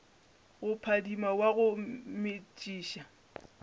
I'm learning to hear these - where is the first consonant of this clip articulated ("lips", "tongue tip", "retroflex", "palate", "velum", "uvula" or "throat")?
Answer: velum